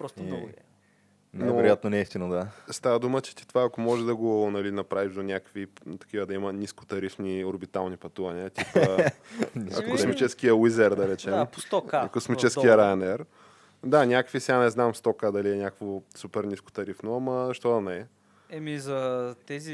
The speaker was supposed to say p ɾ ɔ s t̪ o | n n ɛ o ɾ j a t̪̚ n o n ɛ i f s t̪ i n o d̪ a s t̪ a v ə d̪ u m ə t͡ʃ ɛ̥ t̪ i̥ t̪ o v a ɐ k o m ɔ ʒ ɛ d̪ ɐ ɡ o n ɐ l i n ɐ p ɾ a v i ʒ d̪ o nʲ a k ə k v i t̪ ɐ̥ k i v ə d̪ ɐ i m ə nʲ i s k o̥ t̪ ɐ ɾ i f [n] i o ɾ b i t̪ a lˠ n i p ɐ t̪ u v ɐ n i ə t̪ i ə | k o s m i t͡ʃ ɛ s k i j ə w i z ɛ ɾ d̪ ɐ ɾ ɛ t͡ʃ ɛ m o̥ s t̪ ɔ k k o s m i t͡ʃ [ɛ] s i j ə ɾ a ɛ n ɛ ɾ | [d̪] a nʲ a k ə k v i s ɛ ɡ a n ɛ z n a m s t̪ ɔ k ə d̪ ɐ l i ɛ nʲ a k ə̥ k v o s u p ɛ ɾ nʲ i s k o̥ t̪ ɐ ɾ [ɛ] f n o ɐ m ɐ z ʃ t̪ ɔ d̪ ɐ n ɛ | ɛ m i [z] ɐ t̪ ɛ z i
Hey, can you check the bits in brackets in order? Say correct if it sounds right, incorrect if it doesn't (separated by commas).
correct, correct, correct, incorrect, correct